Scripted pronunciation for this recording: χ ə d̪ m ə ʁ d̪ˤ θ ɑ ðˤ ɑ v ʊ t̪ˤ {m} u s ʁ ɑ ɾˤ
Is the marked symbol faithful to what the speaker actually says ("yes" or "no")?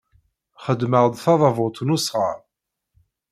no